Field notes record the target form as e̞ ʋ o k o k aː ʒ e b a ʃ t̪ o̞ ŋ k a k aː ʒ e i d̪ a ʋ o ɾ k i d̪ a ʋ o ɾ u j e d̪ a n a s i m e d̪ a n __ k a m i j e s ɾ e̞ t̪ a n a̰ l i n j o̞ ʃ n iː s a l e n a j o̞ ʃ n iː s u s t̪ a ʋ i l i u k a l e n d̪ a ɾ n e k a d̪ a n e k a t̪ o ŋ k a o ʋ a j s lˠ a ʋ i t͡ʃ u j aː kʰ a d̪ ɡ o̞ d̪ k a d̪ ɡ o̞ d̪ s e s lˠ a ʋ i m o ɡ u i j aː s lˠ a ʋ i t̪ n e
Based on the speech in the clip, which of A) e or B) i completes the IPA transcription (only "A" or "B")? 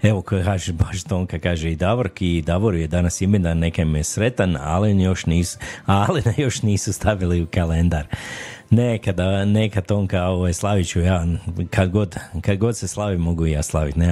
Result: A